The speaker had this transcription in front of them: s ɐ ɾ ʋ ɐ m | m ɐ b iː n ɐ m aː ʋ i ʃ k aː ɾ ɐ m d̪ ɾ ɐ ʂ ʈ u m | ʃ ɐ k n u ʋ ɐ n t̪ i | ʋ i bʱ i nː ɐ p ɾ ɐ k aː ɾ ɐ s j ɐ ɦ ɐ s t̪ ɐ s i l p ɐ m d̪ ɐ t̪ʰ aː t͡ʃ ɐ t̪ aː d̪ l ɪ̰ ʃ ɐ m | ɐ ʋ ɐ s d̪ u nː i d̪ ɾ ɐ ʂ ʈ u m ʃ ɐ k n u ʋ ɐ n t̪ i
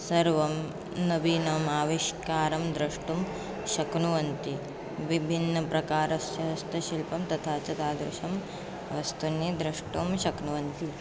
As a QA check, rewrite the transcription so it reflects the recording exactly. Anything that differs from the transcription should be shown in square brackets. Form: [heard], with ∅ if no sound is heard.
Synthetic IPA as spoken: s ɐ ɾ ʋ ɐ m | [n] ɐ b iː n ɐ m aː ʋ i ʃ k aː ɾ ɐ m d̪ ɾ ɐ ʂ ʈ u m | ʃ ɐ k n u ʋ ɐ n t̪ i | ʋ i bʱ i nː ɐ p ɾ ɐ k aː ɾ ɐ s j ɐ ɦ ɐ s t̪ ɐ [ʃ] i l p ɐ m [t̪] ɐ t̪ʰ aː t͡ʃ ɐ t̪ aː d̪ [ɾ] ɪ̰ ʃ ɐ m | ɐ ʋ ɐ s [t̪] u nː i d̪ ɾ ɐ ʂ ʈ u m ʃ ɐ k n u ʋ ɐ n t̪ i